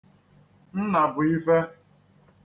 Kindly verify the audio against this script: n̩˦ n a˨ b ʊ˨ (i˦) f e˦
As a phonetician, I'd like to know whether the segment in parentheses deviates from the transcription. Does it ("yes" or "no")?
no